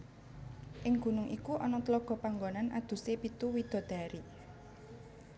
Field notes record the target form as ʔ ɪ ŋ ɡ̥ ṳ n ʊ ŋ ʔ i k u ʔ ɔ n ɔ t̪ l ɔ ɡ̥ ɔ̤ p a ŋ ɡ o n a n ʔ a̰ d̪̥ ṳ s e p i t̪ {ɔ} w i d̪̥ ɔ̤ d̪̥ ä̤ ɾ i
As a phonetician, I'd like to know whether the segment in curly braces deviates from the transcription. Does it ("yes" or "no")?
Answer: yes